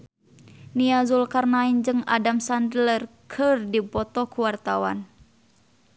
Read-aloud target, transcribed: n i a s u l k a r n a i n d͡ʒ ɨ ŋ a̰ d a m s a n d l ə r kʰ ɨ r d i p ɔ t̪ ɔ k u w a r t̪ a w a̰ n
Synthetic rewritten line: n i a z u l k a r n a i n d͡ʒ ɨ ŋ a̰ d a m s a n d l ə r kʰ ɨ r d i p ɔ t̪ ɔ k u w a r t̪ a w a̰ n